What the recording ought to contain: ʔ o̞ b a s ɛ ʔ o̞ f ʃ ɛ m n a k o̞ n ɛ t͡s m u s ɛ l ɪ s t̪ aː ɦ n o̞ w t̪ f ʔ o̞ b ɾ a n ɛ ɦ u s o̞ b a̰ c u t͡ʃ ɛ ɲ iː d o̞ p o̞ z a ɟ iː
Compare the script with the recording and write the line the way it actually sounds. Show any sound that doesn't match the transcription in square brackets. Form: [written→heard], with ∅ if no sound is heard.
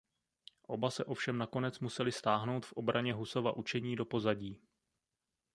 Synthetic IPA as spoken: ʔ o̞ b a s ɛ ʔ o̞ f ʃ ɛ m n a k o̞ n ɛ t͡s m u s ɛ l ɪ s t̪ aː ɦ n o̞ w t̪ f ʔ o̞ b ɾ a [n→ɲ] ɛ ɦ u s o̞ [b→v] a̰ [c→ʔ] u t͡ʃ ɛ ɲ iː d o̞ p o̞ z a ɟ iː